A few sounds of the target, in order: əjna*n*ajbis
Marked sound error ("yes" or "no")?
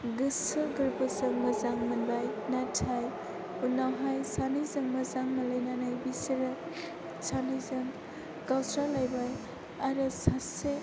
no